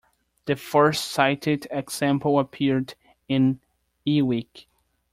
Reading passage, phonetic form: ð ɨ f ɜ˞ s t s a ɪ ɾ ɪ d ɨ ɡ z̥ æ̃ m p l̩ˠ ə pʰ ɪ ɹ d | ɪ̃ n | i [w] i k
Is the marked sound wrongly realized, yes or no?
no